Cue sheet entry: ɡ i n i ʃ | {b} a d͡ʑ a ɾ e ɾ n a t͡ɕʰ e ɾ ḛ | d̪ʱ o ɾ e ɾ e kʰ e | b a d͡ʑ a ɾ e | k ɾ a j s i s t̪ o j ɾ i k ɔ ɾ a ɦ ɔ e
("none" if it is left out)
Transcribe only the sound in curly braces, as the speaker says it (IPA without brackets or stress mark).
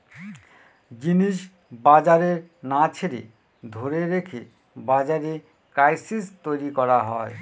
b